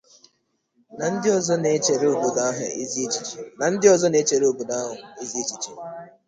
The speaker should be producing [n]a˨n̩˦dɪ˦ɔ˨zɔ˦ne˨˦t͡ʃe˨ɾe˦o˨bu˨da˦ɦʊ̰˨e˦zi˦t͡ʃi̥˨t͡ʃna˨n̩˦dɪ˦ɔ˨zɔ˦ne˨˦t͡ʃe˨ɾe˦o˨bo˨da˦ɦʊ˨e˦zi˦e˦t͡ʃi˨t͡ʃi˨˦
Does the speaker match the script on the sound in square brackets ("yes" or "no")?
yes